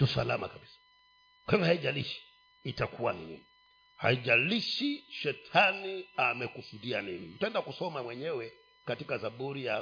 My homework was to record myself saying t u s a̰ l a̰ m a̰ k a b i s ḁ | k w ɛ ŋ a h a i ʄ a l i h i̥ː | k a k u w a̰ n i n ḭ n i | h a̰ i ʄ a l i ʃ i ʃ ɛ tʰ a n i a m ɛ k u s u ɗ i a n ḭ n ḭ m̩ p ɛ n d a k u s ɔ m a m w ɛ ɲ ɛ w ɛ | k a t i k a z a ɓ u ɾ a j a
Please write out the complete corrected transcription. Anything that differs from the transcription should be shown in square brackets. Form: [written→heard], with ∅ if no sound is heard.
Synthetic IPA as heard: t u s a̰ l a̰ m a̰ k a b i s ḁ | k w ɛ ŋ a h a i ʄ a l i [h→ʃ] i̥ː | [k→t] a k u w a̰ n i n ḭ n i | h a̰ i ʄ a l i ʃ i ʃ ɛ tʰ a n i a m ɛ k u s u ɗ i a n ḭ n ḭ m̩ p ɛ n d a k u s ɔ m a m w ɛ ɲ ɛ w ɛ | k a t i k a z a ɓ u ɾ [a→i] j a